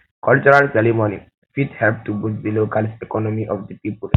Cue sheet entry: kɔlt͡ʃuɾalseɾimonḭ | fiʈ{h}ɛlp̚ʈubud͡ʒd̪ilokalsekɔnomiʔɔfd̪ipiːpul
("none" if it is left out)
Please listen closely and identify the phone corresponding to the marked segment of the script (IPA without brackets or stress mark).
h